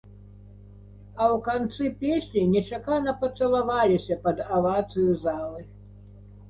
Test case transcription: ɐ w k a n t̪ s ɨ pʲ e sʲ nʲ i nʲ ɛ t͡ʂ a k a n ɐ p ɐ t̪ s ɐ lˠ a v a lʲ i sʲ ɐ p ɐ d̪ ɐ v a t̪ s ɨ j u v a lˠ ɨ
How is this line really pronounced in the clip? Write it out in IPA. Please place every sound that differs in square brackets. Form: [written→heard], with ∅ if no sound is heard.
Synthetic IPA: ɐ w k a n t̪ s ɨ pʲ e sʲ nʲ i nʲ ɛ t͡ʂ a k a n ɐ p ɐ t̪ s ɐ lˠ a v a lʲ i sʲ ɐ p ɐ d̪ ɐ v a t̪ s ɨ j u [v→z] a lˠ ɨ